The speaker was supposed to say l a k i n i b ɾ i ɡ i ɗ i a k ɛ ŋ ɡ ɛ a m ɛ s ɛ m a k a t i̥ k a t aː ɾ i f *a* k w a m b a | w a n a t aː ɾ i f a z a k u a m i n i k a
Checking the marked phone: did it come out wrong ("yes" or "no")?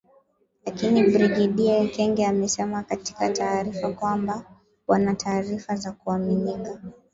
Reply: no